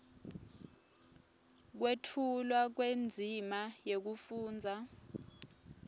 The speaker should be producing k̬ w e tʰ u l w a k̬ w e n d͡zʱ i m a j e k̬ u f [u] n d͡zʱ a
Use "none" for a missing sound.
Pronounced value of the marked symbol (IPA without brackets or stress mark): uː